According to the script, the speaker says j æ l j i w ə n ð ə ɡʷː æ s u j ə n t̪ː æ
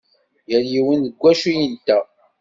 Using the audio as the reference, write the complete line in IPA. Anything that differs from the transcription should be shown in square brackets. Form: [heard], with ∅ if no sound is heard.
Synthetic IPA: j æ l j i w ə n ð ə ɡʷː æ [ʃ] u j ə n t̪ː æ